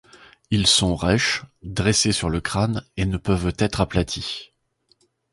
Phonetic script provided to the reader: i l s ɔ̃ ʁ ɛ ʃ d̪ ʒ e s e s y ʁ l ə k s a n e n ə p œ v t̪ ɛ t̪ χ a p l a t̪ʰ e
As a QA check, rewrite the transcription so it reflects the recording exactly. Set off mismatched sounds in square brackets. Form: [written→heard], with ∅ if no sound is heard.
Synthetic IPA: i l s ɔ̃ ʁ ɛ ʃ d̪ [ʒ→ʁ] e s e s y ʁ l ə k [s→χ] a n e n ə p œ v t̪ ɛ t̪ χ a p l a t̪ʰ [e→i]